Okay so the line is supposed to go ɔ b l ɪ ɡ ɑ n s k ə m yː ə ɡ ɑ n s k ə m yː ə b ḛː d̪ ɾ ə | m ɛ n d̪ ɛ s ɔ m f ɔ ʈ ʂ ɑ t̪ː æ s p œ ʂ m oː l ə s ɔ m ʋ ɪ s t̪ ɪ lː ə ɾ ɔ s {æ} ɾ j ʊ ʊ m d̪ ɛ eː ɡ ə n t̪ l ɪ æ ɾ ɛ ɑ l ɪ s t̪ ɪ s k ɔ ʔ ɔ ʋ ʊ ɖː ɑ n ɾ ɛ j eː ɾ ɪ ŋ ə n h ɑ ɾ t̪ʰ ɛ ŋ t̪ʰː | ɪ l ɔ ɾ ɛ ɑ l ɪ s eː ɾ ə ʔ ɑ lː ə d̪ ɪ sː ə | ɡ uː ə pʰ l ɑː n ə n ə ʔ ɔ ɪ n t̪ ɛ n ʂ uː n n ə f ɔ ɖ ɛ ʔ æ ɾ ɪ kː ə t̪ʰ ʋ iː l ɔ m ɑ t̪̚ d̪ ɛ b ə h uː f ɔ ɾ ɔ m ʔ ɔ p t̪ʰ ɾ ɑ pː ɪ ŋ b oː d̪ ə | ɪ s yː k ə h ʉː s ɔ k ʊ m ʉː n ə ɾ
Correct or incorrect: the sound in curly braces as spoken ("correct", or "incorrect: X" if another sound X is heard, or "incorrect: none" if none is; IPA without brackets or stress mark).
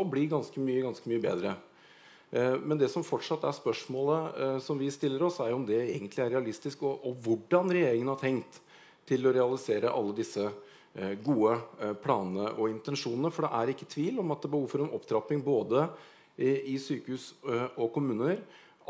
correct